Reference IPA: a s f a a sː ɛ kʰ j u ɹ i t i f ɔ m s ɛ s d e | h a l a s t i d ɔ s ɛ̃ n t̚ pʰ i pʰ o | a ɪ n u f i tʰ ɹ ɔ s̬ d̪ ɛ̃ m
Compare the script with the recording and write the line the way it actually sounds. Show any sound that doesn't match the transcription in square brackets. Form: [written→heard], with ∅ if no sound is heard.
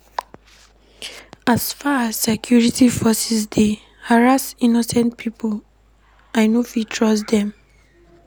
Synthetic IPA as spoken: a s f a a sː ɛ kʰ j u ɹ i t i f ɔ [m→∅] s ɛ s d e | h a [l→ɹ] a s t i [d→n] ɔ s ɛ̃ n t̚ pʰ i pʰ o | a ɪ n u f i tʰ ɹ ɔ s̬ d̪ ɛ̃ m